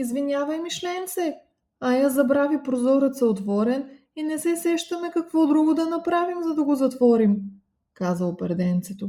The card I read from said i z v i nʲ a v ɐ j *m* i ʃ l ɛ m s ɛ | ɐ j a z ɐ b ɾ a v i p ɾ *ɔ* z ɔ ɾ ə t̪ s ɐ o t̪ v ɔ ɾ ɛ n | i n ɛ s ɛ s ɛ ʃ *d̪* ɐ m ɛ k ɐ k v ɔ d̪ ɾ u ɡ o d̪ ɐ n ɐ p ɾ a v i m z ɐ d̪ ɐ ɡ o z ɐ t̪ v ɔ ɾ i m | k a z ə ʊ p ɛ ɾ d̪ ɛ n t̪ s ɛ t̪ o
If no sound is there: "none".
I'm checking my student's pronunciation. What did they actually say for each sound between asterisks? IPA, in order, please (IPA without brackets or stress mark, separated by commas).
m, o, t̪